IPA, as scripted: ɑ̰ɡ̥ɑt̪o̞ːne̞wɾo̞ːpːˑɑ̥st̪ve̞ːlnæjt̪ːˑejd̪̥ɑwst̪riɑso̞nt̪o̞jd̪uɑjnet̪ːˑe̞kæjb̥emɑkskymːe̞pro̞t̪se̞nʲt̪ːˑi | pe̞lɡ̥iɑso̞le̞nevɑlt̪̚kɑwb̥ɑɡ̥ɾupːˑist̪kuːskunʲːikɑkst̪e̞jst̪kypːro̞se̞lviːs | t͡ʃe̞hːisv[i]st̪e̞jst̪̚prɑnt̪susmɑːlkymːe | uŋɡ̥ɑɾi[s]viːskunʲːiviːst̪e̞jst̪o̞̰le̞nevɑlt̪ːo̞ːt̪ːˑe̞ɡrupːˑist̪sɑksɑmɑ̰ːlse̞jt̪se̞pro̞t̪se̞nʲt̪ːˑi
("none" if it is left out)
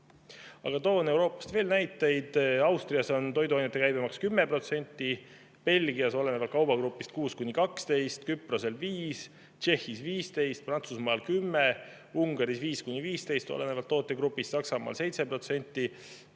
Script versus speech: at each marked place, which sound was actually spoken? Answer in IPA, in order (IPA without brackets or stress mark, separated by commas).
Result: iː, s